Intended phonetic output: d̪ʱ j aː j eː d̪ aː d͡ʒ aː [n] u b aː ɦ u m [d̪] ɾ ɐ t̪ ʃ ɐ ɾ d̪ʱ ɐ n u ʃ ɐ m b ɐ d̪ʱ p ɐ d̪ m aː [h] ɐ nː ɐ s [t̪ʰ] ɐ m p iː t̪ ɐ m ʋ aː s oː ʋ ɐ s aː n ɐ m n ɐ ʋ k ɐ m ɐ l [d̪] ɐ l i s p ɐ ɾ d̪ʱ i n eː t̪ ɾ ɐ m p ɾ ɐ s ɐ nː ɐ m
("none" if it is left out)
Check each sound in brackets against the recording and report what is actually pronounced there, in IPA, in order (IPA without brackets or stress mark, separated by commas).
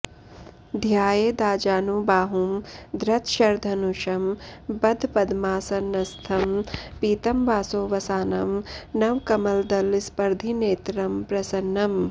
n, d̪, s, t̪ʰ, d̪